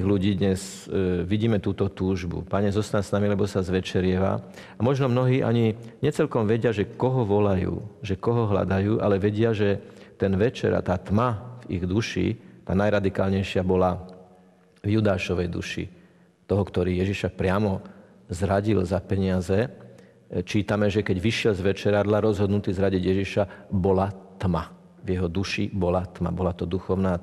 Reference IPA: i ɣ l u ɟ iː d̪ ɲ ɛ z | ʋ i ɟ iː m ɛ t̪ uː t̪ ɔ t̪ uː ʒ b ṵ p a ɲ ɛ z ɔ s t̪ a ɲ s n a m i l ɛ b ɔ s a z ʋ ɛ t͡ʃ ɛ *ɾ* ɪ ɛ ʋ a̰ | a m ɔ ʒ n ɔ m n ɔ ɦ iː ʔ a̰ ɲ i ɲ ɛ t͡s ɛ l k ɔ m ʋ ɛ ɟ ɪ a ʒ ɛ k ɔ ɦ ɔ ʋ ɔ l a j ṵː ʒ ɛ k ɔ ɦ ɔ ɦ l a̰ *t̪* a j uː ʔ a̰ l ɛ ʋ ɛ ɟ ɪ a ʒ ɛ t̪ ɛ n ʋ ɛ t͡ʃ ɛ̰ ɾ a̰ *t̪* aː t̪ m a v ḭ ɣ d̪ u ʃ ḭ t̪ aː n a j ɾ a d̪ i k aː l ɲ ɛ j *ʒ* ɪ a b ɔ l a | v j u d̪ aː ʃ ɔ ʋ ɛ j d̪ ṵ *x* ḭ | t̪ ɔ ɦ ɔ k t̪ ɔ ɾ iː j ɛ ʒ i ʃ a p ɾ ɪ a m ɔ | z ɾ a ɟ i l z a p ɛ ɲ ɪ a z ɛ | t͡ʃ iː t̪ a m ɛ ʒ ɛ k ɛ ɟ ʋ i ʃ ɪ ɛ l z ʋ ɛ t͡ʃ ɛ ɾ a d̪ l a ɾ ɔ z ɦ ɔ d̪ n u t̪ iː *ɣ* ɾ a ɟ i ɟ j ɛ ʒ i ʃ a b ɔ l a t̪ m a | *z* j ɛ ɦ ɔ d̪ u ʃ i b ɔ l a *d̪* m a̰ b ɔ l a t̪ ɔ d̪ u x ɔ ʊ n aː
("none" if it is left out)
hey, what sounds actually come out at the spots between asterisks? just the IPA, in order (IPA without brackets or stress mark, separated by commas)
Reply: ɾ, d̪, t̪, ʃ, ʃ, z, v, t̪